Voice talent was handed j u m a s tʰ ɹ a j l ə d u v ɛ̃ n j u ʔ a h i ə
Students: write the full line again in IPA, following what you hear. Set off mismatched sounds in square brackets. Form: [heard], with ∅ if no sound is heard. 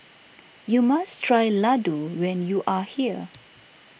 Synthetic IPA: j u m a s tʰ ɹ a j l [a] d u [w] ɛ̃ n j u ʔ a h i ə